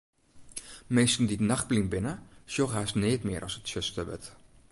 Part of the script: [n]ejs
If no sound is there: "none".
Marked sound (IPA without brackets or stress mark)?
m